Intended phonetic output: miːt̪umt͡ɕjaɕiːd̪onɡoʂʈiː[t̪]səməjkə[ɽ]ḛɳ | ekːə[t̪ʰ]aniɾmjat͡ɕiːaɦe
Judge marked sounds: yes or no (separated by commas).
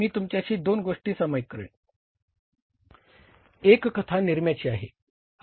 no, no, yes